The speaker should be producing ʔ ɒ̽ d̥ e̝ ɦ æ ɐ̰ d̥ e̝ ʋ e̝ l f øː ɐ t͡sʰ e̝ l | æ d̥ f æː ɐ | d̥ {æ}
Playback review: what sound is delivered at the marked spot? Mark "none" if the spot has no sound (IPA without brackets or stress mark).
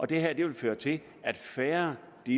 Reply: i